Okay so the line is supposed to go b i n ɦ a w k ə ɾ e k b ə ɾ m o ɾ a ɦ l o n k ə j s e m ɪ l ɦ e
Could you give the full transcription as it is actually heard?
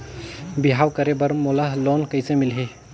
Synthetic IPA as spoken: b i ɦ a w k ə ɾ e b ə ɾ m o l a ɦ l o n k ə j s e m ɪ l ɦ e